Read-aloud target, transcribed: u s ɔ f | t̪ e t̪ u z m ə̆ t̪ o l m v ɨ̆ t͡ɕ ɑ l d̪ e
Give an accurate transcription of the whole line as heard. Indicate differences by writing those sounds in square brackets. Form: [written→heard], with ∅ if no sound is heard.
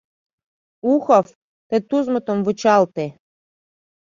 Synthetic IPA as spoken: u [s→x] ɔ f | t̪ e t̪ u z m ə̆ t̪ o [l→∅] m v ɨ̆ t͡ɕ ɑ l [d̪→t̪] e